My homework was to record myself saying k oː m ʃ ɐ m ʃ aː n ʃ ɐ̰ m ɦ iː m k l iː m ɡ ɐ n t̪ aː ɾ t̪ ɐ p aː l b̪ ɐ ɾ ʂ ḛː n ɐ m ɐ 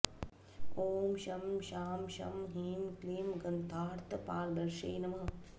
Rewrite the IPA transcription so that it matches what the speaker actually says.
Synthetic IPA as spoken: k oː m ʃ ɐ m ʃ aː m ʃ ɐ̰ m ɦ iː m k l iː m ɡ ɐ n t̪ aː ɾ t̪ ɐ p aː l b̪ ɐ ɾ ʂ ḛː n ɐ m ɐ